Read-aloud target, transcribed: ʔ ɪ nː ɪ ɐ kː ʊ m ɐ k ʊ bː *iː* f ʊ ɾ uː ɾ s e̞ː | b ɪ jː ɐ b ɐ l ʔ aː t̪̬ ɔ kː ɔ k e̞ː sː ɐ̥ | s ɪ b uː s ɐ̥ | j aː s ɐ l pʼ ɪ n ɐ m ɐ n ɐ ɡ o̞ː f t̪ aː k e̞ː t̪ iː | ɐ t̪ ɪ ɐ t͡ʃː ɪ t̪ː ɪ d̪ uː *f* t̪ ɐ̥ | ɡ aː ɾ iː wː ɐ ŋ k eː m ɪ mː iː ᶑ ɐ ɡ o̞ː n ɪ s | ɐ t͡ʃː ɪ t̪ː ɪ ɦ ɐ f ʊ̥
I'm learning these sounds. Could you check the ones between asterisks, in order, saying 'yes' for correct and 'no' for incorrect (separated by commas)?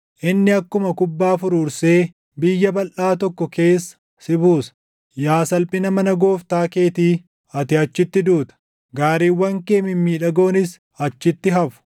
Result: no, no